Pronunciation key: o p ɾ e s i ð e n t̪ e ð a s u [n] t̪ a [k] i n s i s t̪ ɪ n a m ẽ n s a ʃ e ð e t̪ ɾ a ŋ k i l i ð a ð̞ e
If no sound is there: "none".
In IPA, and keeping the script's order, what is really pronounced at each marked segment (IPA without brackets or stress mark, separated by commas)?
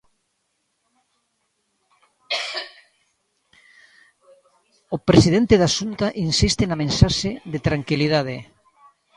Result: n, ʔ